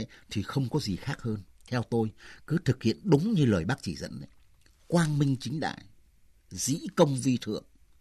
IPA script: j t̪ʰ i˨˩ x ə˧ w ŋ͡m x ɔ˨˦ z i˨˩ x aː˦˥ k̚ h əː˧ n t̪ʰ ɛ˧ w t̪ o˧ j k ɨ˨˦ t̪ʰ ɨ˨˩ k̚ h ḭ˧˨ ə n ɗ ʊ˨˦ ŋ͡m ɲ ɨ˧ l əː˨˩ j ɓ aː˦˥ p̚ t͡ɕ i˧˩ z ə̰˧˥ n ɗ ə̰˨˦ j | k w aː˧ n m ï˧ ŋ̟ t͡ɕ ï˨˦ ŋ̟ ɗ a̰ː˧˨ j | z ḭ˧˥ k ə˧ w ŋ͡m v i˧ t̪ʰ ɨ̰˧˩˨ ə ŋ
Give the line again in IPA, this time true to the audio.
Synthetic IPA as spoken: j t̪ʰ i˨˩ x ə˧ w ŋ͡m k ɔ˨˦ z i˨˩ x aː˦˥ k̚ h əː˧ n t̪ʰ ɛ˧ w t̪ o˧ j k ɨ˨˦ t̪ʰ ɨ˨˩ k̚ h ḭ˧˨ ə n ɗ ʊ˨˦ ŋ͡m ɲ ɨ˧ l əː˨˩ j ɓ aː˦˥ k̚ t͡ɕ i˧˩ z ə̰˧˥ n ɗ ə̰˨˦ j | k w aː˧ n m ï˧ ŋ̟ t͡ɕ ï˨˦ ŋ̟ ɗ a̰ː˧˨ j | z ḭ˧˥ k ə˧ w ŋ͡m v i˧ t̪ʰ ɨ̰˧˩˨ ə ŋ